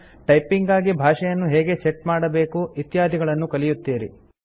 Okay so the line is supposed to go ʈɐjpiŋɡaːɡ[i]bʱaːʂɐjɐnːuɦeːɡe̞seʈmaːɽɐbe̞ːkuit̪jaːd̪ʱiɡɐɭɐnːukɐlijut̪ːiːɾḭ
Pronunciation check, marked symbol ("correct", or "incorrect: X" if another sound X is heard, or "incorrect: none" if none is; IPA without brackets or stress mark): correct